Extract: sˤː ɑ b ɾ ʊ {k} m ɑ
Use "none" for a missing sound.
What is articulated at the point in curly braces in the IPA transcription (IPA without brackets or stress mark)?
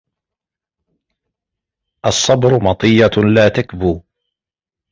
none